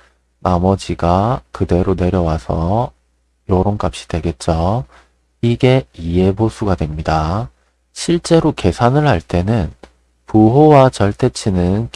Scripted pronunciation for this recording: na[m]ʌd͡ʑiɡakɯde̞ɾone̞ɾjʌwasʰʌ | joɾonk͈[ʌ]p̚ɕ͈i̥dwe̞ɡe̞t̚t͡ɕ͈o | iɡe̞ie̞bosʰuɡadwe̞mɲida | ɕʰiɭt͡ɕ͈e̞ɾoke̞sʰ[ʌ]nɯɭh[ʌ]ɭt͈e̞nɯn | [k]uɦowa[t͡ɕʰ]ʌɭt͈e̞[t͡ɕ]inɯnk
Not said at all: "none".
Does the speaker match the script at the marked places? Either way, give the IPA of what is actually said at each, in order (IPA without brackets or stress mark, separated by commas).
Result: m, a, a, a, p, t͡ɕ, t͡ɕʰ